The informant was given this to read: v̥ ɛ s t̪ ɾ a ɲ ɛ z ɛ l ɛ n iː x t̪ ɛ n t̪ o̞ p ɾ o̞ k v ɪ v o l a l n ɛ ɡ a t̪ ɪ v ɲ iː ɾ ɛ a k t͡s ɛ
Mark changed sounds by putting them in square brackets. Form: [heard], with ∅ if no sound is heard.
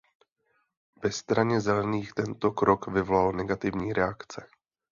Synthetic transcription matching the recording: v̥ ɛ s t̪ ɾ a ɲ ɛ z ɛ l ɛ n iː x t̪ ɛ n t̪ o̞ [k] ɾ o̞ k v ɪ v o l a l n ɛ ɡ a t̪ ɪ v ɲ iː ɾ ɛ a k t͡s ɛ

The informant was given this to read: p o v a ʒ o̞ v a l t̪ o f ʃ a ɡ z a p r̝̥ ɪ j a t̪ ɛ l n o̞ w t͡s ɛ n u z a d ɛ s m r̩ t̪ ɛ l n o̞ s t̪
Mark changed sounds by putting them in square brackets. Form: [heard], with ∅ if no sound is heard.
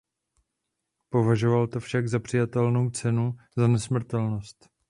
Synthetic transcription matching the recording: p o v a ʒ o̞ v a l t̪ o f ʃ a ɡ z a p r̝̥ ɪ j a t̪ ɛ l n o̞ w t͡s ɛ n u z a [n] ɛ s m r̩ t̪ ɛ l n o̞ s t̪

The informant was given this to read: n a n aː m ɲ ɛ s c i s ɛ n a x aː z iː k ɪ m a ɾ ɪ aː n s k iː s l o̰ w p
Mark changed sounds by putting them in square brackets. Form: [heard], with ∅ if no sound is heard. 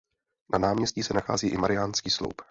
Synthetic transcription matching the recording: n a n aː m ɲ ɛ s c i s ɛ n a x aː z iː [ʔ] ɪ m a ɾ ɪ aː n s k iː s l o̰ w p

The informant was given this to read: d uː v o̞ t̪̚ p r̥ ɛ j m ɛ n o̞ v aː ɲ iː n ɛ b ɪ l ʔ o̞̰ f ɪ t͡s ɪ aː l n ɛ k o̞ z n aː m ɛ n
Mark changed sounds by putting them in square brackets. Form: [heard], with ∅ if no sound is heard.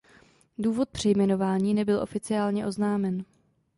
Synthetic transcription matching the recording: d uː v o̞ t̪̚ p r̥ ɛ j m ɛ n o̞ v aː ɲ iː n ɛ b ɪ l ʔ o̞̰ f ɪ t͡s ɪ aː l [ɲ] ɛ [ʔ] o̞ z n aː m ɛ n

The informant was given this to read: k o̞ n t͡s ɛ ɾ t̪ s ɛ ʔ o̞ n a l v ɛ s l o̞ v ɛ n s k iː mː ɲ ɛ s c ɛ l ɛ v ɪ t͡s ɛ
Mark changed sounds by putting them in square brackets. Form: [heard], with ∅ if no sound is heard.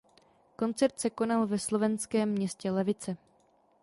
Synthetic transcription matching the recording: k o̞ n t͡s ɛ ɾ t̪ s ɛ [k] o̞ n a l v ɛ s l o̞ v ɛ n s k [ɛː] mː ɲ ɛ s c ɛ l ɛ v ɪ t͡s ɛ

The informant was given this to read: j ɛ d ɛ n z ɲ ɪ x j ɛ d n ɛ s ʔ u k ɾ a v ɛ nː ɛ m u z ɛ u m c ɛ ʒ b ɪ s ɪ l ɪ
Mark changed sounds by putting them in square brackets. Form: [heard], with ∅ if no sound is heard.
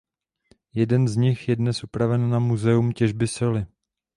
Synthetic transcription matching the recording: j ɛ d ɛ n z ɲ ɪ x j ɛ d n ɛ s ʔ u [p] ɾ a v ɛ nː [a] m u z ɛ u m c ɛ ʒ b ɪ s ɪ l ɪ

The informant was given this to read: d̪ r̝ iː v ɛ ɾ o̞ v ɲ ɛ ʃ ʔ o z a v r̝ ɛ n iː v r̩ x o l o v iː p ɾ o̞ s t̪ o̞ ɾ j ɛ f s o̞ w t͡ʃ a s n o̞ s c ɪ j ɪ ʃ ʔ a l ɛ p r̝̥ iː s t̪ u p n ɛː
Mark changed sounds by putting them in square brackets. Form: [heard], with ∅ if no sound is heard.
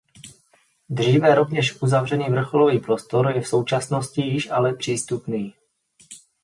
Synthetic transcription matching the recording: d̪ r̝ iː v ɛ ɾ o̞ v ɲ ɛ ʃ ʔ [u] z a v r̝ ɛ n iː v r̩ x o l o v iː p ɾ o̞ s t̪ o̞ ɾ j ɛ f s o̞ w t͡ʃ a s n o̞ s c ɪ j ɪ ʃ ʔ a l ɛ p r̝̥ iː s t̪ u p n [iː]

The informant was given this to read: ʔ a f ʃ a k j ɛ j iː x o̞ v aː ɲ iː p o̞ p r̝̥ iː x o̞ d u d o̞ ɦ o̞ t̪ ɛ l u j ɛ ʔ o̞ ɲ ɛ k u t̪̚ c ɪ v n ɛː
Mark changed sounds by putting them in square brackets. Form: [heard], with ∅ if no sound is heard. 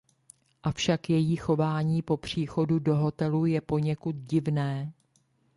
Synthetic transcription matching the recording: ʔ a f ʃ a k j ɛ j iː x o̞ v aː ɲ iː p o̞ p r̝̥ iː x o̞ d u d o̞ ɦ o̞ t̪ ɛ l u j ɛ [p] o̞ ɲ ɛ k u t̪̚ [ɟ] ɪ v n ɛː

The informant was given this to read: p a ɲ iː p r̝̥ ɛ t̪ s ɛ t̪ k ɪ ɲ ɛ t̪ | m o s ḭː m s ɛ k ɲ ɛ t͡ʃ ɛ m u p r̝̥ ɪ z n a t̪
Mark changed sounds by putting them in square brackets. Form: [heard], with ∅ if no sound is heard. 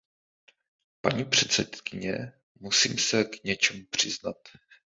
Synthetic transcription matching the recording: p a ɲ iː p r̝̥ ɛ t̪ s ɛ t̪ k ɪ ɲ ɛ [∅] | m [u] s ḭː m s ɛ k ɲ ɛ t͡ʃ ɛ m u p r̝̥ ɪ z n a t̪

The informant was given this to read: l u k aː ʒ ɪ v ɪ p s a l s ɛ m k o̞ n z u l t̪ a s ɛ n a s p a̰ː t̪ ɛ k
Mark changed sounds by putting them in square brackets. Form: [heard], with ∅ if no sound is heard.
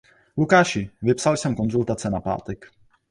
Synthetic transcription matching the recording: l u k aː [ʃ] ɪ v ɪ p s a l s ɛ m k o̞ n z u l t̪ a [t͡s] ɛ n a [∅] p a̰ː t̪ ɛ k

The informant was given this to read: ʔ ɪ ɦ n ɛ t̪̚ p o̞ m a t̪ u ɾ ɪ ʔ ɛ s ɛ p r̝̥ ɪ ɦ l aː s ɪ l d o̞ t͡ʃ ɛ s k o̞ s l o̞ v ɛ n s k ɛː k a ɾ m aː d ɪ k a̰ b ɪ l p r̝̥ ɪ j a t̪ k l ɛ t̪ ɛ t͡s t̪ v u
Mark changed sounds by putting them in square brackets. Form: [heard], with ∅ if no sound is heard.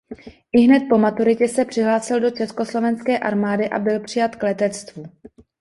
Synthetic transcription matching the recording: ʔ ɪ ɦ n ɛ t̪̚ p o̞ m a t̪ u ɾ ɪ [c] ɛ s ɛ p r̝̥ ɪ ɦ l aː s ɪ l d o̞ t͡ʃ ɛ s k o̞ s l o̞ v ɛ n s k ɛː [ʔ] a ɾ m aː d ɪ [ʔ] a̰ b ɪ l p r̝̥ ɪ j a t̪ k l ɛ t̪ ɛ t͡s t̪ v u

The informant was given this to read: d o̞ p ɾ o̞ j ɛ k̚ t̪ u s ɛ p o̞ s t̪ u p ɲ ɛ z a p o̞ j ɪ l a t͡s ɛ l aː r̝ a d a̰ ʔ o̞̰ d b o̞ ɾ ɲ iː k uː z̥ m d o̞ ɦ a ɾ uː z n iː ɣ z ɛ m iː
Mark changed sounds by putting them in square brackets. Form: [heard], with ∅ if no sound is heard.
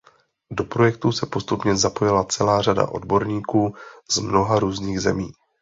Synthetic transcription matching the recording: d o̞ p ɾ o̞ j ɛ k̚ t̪ u s ɛ p o̞ s t̪ u p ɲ ɛ z a p o̞ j ɪ l a t͡s ɛ l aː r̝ a d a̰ ʔ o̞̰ d b o̞ ɾ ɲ iː k uː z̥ m [n] o̞ ɦ a ɾ uː z n iː ɣ z ɛ m iː

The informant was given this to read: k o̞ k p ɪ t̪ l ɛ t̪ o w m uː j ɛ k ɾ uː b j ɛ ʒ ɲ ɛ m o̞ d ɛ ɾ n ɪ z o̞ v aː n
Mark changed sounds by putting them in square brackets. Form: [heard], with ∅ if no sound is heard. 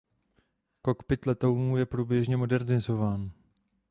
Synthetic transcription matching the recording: k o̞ k p ɪ t̪ l ɛ t̪ o w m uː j ɛ [p] ɾ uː b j ɛ ʒ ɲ ɛ m o̞ d ɛ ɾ n ɪ z o̞ v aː n

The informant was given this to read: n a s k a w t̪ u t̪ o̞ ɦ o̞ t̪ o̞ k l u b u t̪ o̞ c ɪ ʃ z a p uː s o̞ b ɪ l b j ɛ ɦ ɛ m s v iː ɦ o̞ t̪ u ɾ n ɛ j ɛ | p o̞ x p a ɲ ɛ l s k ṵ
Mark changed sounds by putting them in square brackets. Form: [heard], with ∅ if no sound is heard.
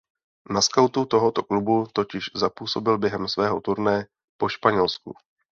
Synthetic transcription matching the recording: n a s k a w t̪ u t̪ o̞ ɦ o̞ t̪ o̞ k l u b u t̪ o̞ c ɪ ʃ z a p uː s o̞ b ɪ l b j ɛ ɦ ɛ m s v [ɛː] ɦ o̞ t̪ u ɾ n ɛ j ɛ | p o̞ [ʃ] p a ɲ ɛ l s k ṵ

